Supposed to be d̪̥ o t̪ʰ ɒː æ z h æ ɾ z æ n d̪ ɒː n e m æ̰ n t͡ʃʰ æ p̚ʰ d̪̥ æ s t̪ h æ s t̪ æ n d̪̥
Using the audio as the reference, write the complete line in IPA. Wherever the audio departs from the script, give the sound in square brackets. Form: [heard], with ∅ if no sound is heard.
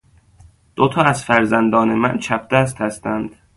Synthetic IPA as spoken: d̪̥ o t̪ʰ ɒː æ z [f] æ ɾ z æ n d̪ ɒː n e m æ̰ n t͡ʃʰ æ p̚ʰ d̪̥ æ s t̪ h æ s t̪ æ n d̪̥